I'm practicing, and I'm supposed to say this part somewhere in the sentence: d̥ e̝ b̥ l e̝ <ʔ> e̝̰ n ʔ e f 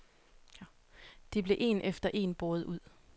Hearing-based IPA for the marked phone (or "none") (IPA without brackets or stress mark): ʔ